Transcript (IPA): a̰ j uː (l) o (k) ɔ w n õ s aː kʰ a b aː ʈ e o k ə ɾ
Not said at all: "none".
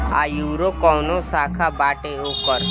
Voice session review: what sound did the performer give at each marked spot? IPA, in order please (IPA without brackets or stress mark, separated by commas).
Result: ɾ, k